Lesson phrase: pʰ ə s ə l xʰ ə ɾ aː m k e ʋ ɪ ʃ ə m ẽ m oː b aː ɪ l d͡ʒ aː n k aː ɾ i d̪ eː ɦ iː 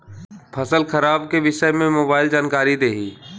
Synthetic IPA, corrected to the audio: pʰ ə s ə l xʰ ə ɾ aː b k e ʋ ɪ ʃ ə m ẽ m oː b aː ɪ l d͡ʒ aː n k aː ɾ i d̪ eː ɦ iː